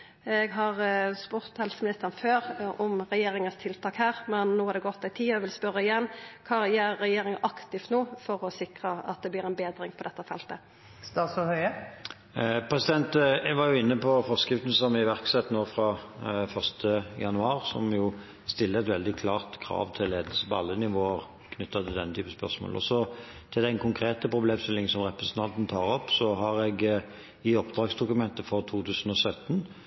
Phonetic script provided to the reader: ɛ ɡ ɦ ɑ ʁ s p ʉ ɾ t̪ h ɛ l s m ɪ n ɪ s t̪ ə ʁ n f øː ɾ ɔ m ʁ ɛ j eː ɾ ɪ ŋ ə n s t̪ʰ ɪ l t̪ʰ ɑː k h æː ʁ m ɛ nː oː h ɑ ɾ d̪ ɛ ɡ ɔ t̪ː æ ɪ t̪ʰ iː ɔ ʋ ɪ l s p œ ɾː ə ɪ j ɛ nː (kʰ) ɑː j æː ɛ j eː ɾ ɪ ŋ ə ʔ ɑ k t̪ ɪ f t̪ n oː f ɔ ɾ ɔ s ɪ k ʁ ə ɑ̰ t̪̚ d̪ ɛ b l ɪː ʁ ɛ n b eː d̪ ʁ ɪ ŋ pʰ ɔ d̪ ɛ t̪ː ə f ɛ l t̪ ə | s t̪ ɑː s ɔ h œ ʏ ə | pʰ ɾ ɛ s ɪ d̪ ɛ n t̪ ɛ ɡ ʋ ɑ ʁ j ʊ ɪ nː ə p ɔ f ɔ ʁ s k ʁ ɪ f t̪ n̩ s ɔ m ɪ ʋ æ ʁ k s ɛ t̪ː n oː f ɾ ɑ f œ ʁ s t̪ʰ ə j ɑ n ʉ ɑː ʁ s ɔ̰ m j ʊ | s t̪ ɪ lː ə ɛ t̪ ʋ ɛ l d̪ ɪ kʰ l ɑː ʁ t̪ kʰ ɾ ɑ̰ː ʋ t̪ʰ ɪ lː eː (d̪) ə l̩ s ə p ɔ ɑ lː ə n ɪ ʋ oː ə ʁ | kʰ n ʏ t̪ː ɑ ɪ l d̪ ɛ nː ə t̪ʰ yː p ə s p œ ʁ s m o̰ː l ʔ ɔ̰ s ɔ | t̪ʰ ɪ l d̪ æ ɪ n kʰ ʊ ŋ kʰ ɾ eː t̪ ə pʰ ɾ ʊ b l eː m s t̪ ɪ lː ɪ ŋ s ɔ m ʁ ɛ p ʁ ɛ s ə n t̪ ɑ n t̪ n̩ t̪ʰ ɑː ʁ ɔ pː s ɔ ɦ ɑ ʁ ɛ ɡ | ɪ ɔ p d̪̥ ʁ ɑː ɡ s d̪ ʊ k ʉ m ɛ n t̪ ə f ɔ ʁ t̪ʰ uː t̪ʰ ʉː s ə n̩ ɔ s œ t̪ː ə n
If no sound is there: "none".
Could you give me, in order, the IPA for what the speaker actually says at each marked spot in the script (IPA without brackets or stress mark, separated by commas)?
kʰ, d̪